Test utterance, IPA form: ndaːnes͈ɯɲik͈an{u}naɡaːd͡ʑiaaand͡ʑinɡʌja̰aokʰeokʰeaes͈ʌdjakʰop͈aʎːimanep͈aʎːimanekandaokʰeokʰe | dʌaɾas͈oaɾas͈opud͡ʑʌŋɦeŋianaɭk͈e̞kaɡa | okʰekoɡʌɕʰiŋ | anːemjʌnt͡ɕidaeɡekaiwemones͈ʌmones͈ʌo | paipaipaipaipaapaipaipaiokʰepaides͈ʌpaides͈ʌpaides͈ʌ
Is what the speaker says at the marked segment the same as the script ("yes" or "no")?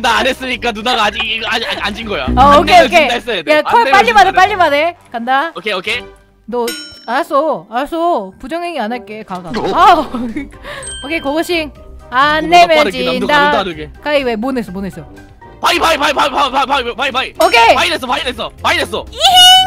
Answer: yes